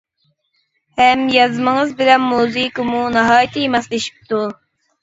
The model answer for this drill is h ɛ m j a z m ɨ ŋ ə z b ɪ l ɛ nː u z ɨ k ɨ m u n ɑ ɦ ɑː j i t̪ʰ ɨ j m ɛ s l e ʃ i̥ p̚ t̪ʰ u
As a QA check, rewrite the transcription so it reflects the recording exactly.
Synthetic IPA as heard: h ɛ m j ɑ z m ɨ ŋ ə z b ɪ l ɛ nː u z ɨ k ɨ m u n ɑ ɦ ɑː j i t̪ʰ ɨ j m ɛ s l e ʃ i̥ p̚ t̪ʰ u